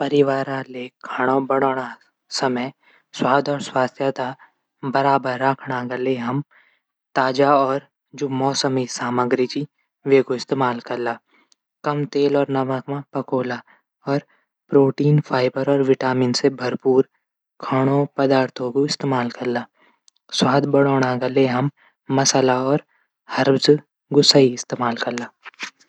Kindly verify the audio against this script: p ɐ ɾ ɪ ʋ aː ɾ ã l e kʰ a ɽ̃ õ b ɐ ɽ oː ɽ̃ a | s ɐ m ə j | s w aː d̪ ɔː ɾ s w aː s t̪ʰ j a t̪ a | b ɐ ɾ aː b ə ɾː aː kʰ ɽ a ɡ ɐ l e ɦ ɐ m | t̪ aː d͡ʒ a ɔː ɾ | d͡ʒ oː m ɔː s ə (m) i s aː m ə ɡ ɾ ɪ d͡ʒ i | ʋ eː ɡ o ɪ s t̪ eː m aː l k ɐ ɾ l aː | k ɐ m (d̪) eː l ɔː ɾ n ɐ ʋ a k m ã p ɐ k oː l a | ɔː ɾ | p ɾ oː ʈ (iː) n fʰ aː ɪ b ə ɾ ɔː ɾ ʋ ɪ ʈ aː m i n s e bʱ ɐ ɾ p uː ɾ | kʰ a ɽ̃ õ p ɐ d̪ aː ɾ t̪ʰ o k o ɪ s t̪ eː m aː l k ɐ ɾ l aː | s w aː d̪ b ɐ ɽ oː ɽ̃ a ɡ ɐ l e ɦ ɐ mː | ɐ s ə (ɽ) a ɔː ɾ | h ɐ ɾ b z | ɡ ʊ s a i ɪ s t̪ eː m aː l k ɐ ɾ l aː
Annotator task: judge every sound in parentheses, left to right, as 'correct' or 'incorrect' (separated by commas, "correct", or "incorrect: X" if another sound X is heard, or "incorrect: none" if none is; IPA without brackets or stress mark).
correct, incorrect: t̪, correct, incorrect: l